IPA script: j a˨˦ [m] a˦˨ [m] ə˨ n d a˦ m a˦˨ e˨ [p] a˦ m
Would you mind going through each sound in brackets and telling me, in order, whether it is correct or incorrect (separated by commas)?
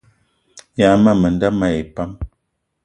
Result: correct, correct, correct